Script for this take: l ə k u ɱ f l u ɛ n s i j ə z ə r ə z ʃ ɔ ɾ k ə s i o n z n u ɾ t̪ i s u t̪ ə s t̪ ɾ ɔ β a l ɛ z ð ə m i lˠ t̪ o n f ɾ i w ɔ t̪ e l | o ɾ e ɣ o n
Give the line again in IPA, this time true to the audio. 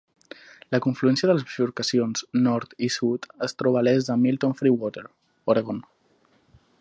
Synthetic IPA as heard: l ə k u ɱ f l u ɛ n s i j ə ð ə l ə z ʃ u ɾ k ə s i o n z n ɔ ɾ t̪ i s u t̪ ə s t̪ ɾ ɔ β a l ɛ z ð ə m i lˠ t̪ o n f ɾ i w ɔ t̪ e ɾ | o ɾ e ɣ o n